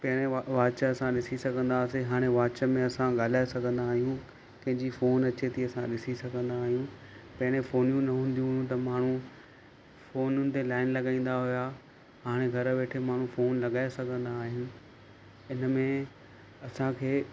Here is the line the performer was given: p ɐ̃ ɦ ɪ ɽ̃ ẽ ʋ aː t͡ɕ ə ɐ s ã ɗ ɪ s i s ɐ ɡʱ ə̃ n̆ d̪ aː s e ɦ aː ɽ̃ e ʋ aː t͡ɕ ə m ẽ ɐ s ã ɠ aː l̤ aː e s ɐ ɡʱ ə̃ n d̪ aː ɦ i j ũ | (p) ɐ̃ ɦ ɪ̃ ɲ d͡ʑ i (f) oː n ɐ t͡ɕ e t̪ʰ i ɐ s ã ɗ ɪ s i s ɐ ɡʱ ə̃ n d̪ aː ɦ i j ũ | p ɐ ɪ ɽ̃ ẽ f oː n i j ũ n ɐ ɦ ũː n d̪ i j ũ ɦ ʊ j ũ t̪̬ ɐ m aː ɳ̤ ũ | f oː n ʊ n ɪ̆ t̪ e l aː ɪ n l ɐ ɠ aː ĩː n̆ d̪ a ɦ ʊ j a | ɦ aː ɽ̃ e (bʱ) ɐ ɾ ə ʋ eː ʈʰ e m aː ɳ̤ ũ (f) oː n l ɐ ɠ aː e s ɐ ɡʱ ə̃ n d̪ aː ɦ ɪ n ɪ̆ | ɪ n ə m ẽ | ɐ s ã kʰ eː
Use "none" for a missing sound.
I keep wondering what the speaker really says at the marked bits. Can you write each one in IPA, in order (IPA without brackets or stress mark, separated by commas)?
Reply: k, f, ɡʱ, f